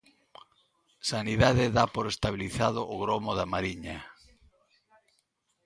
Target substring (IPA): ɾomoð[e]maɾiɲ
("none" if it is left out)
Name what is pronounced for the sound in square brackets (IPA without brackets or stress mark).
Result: a